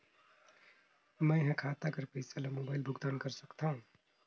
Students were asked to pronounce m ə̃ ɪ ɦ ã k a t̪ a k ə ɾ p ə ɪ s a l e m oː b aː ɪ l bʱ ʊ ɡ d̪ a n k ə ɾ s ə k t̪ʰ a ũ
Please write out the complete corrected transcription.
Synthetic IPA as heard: m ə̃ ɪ ɦ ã kʰ a t̪ a k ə ɾ p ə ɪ s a l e m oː b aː ɪ l bʱ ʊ ɡ d̪ a n k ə ɾ s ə k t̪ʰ a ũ

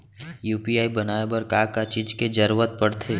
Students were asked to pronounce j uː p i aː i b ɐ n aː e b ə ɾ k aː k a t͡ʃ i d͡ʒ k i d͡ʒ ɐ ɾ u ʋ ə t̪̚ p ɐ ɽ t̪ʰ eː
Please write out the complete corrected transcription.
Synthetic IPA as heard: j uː p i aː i b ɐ n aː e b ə ɾ k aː k a t͡ʃ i d͡ʒ k e d͡ʒ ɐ ɾ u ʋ ə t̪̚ p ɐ ɽ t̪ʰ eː

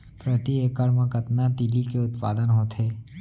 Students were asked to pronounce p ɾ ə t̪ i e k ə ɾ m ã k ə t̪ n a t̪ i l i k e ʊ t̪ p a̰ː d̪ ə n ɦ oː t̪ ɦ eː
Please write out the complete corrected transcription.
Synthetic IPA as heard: p ɾ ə t̪ i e k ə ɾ m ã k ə t̪ n a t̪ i l i k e ʊ t̪ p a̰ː d̪ ə n ɦ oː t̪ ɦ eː

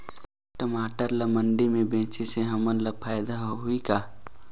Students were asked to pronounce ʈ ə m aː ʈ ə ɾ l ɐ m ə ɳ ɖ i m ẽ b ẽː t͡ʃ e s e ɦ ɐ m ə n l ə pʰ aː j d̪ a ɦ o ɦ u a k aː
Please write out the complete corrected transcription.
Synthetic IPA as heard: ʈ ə m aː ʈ ə ɾ l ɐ m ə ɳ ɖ i m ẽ b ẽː t͡ʃ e s e ɦ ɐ m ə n l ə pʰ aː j d̪ a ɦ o ɦ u i k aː

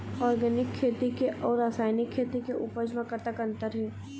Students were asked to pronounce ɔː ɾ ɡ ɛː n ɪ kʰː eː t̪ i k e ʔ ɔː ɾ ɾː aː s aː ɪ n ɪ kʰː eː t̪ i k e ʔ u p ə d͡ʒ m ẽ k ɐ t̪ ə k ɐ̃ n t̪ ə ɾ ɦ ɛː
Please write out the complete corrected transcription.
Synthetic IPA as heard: ɔː ɾ ɡ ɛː n ɪ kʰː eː t̪ i k e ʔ ɔː ɾ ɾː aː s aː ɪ n ɪ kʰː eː t̪ i k e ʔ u p ə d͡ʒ m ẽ k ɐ t̪ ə k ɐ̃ n t̪ ə ɾ ɦ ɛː

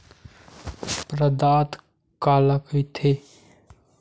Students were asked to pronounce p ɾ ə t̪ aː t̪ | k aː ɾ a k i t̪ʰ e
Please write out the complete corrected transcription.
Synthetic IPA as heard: p ɾ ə d̪ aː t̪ | k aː l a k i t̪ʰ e

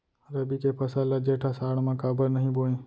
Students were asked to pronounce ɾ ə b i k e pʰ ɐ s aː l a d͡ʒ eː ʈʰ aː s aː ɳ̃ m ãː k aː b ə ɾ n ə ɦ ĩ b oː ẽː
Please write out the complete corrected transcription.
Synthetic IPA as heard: ɾ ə b i k e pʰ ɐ s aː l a d͡ʒ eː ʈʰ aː s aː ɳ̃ m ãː k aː b ə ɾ n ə ɦ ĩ b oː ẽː

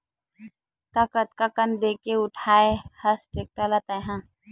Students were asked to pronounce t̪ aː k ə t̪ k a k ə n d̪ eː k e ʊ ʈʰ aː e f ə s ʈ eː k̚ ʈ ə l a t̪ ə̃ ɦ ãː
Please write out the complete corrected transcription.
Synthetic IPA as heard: t̪ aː k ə t̪ k a k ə n d̪ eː k e ʊ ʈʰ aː e h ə s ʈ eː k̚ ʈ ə l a t̪ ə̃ ɦ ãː

